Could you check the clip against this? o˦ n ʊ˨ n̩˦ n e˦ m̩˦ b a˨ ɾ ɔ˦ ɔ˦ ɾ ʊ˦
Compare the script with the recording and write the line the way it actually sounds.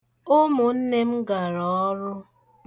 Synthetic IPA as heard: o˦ m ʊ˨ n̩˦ n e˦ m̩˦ ɡ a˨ ɾ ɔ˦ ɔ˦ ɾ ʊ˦